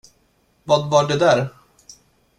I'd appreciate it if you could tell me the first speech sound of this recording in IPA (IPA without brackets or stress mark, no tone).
v